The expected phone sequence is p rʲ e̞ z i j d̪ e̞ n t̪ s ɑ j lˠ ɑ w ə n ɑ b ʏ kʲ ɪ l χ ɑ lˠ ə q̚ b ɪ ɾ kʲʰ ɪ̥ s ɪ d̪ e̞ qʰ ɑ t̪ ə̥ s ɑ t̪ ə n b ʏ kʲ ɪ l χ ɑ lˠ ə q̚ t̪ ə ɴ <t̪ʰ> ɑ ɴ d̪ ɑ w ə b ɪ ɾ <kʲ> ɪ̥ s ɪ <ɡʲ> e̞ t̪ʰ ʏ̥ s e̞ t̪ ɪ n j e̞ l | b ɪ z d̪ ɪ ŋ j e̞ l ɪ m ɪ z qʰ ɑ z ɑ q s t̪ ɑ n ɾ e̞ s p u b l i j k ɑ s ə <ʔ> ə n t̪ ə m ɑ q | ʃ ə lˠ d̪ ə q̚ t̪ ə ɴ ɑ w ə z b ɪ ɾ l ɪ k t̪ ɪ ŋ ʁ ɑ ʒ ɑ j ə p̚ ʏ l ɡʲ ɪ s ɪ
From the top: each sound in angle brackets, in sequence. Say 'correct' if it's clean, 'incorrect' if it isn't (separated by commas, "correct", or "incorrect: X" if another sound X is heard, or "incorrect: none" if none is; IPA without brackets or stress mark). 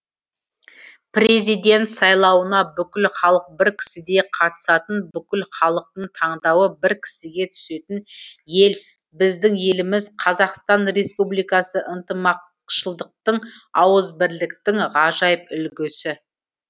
correct, incorrect: kʲʰ, correct, correct